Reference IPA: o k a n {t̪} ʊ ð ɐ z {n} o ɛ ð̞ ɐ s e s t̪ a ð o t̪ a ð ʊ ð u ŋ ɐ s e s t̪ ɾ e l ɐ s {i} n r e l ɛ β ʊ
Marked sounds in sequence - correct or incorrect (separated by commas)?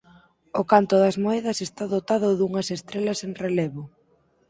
correct, incorrect, incorrect